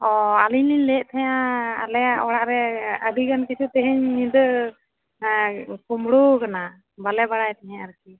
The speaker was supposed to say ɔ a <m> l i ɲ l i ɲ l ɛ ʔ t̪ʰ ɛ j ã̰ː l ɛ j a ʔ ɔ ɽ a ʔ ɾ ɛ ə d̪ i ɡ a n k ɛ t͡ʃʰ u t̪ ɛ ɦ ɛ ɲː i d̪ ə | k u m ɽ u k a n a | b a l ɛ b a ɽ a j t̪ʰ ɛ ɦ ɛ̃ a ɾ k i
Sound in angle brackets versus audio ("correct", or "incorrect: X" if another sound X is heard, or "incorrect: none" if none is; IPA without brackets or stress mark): incorrect: none